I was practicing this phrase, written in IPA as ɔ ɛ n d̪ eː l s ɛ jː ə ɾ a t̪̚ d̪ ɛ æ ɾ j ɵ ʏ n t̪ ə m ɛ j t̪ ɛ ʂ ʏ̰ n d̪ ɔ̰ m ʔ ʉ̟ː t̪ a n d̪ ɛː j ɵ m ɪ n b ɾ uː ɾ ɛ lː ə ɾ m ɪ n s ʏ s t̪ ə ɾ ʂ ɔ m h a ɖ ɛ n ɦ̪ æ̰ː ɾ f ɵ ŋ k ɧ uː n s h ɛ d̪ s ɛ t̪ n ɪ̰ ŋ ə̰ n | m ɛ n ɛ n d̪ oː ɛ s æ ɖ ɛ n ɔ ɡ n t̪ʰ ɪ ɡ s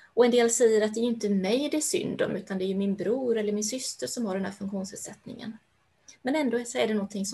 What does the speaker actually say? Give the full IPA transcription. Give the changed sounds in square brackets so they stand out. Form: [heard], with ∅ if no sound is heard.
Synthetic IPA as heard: ɔ ɛ n d̪ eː l s ɛ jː ə ɾ a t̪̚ d̪ ɛ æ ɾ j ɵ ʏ n t̪ ə m ɛ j [d̪] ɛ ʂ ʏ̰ n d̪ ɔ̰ m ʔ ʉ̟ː t̪ a n d̪ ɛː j ɵ m ɪ n b ɾ uː ɾ ɛ lː ə ɾ m ɪ n s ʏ s t̪ ə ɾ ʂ ɔ m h a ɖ ɛ n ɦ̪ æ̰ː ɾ f ɵ ŋ k ɧ uː n s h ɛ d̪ s ɛ t̪ n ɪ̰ ŋ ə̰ n | m ɛ n ɛ n d̪ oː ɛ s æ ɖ ɛ n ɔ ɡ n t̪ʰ ɪ [ŋ] s